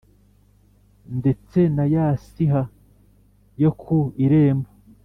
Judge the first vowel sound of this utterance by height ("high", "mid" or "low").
mid